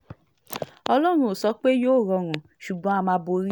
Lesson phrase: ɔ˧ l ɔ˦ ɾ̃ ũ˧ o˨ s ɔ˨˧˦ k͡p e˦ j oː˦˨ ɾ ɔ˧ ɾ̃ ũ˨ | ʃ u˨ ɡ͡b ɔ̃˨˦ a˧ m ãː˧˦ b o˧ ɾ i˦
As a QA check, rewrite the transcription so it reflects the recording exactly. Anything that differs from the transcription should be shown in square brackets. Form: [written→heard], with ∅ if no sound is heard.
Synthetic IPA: ɔ˧ l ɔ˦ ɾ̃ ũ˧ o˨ s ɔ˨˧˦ k͡p e˦ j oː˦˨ ɾ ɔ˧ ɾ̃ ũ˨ | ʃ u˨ ɡ͡b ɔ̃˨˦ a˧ m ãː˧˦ b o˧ ɾ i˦